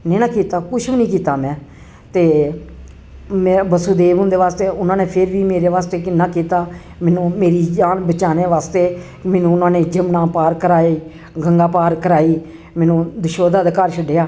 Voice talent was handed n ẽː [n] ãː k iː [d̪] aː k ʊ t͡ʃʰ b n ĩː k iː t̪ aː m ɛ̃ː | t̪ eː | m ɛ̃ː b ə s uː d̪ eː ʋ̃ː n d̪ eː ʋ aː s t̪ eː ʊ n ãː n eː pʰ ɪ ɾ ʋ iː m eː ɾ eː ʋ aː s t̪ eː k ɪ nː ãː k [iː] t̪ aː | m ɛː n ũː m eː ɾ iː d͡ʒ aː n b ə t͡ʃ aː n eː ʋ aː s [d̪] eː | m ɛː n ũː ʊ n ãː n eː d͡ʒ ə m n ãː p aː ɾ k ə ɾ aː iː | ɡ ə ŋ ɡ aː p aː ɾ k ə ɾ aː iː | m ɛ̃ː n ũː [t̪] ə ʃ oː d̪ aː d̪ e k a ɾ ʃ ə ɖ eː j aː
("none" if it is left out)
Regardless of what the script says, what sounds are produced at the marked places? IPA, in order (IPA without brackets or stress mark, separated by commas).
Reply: n, t̪, iː, t̪, d̪